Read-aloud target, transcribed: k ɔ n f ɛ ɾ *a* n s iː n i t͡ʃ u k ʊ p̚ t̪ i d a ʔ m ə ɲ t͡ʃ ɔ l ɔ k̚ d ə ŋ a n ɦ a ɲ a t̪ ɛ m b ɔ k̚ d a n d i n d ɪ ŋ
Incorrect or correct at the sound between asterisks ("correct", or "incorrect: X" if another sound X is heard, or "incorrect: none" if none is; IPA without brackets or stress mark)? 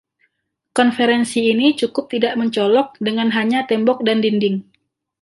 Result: incorrect: ɛ